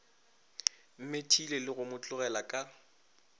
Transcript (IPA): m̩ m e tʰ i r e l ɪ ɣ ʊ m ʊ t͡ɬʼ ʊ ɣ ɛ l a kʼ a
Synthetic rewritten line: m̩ m e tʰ i l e l ɪ ɣ ʊ m ʊ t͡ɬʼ ʊ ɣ ɛ l a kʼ a